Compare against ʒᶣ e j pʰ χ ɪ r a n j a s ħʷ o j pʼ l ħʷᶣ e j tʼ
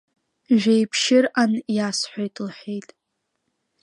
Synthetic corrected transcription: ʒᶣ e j pʰ ʃ ɪ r a n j a s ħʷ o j tʼ l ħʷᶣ e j tʼ